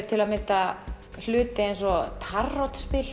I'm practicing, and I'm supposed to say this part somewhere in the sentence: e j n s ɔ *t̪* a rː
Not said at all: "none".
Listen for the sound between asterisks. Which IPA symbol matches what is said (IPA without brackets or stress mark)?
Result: t̪ʰ